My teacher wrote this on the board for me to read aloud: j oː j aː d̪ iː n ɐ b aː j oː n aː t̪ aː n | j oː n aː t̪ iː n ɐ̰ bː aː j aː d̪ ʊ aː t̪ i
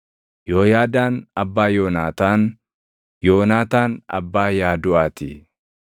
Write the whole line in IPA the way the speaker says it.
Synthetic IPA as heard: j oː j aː d̪ aː n ɐ bː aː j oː n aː t̪ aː n | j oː n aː t̪ aː n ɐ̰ bː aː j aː d̪ ʊ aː t̪ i

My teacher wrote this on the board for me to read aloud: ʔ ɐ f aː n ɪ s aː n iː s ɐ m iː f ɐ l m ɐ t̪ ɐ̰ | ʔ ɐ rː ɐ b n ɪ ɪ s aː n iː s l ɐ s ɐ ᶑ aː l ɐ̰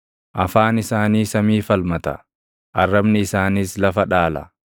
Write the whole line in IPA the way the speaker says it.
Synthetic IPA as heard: ʔ ɐ f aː n ɪ s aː n iː s ɐ m iː f ɐ l m ɐ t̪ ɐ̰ | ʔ ɐ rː ɐ b n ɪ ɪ s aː n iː s l ɐ f ɐ ᶑ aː l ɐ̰

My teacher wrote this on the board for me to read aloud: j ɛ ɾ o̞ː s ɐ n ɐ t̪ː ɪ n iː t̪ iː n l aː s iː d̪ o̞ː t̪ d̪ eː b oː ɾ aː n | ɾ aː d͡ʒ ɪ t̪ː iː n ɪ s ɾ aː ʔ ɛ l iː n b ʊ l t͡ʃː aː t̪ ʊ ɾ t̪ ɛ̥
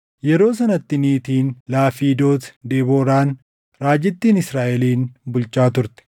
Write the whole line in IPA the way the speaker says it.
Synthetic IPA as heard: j ɛ ɾ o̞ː s ɐ n ɐ t̪ː ɪ n iː t̪ iː n l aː f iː d̪ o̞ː t̪ d̪ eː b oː ɾ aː n | ɾ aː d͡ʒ ɪ t̪ː iː n ɪ s ɾ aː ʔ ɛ l iː n b ʊ l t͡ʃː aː t̪ ʊ ɾ t̪ ɛ̥

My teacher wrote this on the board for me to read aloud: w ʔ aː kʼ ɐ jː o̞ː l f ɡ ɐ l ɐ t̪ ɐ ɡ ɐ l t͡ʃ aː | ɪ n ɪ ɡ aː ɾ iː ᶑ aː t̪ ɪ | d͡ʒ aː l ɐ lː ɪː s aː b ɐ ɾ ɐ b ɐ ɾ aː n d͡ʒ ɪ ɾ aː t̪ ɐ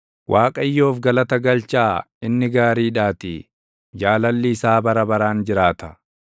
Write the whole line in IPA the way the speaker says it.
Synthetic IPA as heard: w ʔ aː kʼ ɐ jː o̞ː f ɡ ɐ l ɐ t̪ ɐ ɡ ɐ l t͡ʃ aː | ɪ nː ɪ ɡ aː ɾ iː ᶑ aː t̪ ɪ | d͡ʒ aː l ɐ lː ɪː s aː b ɐ ɾ ɐ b ɐ ɾ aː n d͡ʒ ɪ ɾ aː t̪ ɐ

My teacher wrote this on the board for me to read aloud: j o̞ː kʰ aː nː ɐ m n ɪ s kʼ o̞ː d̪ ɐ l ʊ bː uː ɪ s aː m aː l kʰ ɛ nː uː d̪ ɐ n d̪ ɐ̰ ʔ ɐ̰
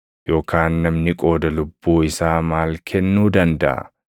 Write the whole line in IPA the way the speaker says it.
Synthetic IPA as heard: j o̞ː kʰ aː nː ɐ m n ɪ kʼ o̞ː d̪ ɐ l ʊ bː uː ɪ s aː m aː l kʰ ɛ nː uː d̪ ɐ n d̪ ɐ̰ ʔ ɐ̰

